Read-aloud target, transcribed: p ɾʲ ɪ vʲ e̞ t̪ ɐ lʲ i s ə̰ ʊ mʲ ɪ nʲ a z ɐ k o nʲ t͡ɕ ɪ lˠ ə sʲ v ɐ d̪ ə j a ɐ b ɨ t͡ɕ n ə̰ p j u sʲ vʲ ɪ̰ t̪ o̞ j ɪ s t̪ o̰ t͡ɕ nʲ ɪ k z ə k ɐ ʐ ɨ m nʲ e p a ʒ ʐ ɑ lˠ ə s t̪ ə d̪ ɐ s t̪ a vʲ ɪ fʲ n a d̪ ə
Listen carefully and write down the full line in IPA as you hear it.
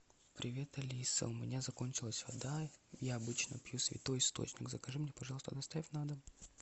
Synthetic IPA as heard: p ɾʲ ɪ vʲ e̞ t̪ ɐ lʲ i s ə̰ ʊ mʲ ɪ nʲ a z ɐ k o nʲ t͡ɕ ɪ lˠ ə sʲ v ɐ d̪ a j a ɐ b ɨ t͡ɕ n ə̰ p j u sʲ vʲ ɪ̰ t̪ o̞ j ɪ s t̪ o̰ t͡ɕ nʲ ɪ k z ə k ɐ ʐ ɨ m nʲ e p ɐ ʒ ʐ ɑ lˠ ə s t̪ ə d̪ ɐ s t̪ a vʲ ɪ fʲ n a d̪ ə

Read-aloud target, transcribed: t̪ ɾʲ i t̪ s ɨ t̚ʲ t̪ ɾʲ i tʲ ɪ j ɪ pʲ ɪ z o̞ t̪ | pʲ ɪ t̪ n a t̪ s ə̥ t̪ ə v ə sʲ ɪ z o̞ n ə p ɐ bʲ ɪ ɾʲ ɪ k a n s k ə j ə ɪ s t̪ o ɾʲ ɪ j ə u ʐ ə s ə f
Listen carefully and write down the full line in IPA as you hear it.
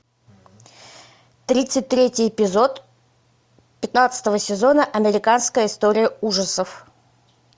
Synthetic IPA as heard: t̪ ɾʲ i t̪ s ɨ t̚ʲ t̪ ɾʲ e tʲ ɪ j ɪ pʲ ɪ z o̞ t̪ | pʲ ɪ t̪ n a t̪ s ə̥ t̪ ə v ə sʲ ɪ z o̞ n ə ʔ ɐ mʲ ɪ ɾʲ ɪ k a n s k ə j ə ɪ s t̪ o ɾʲ ɪ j ə u ʐ ə s ə f

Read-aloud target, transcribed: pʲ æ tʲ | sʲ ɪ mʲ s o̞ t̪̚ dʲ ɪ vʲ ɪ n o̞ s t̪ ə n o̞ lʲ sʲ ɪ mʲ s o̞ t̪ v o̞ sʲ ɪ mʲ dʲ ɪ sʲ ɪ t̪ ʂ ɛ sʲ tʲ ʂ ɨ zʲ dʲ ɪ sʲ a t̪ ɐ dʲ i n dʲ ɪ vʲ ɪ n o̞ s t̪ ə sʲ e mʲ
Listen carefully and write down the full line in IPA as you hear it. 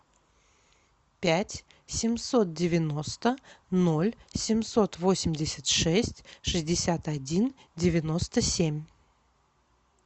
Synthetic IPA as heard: pʲ æ tʲ | sʲ ɪ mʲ s o̞ t̪̚ dʲ ɪ vʲ ɪ n o̞ s t̪ ə n o̞ lʲ sʲ ɪ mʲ s o̞ t̪ v o̞ sʲ ɪ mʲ dʲ ɪ sʲ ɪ t̪ ʂ ɛ sʲ tʲ ʂ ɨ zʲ dʲ ɪ sʲ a t̪ ɐ dʲ i n dʲ ɪ vʲ ɪ n o̞ s t̪ ə sʲ e mʲ

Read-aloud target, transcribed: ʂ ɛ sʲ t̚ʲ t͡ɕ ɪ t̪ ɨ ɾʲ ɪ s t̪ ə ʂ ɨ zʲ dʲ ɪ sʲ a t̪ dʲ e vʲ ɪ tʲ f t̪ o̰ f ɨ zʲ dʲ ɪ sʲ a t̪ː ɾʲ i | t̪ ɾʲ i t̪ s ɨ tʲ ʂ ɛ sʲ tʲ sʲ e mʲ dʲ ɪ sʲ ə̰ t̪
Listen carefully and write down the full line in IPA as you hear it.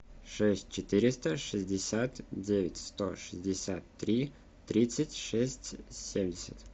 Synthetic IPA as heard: ʂ ɛ sʲ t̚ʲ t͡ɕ ɪ t̪ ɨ ɾʲ ɪ s t̪ ə ʂ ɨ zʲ dʲ ɪ sʲ a t̪ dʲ e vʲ ɪ tʲ s t̪ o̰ ʂ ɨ zʲ dʲ ɪ sʲ a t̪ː ɾʲ i | t̪ ɾʲ i t̪ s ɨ tʲ ʂ ɛ sʲ tʲ sʲ e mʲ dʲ ɪ sʲ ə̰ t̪

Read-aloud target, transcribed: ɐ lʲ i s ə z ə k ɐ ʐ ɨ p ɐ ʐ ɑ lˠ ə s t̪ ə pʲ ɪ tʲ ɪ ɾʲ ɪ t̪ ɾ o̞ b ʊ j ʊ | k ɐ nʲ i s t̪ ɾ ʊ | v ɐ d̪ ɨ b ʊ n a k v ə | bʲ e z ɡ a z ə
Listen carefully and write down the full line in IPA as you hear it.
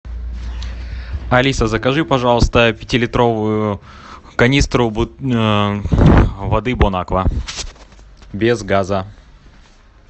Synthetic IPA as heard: ɐ lʲ i s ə z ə k ɐ ʐ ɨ p ɐ ʐ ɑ lˠ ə s t̪ ə pʲ ɪ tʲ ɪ lʲ ɪ t̪ ɾ o̞ v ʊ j ʊ | k ɐ nʲ i s t̪ ɾ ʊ | v ɐ d̪ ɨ b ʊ n a k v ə | bʲ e z ɡ a z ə

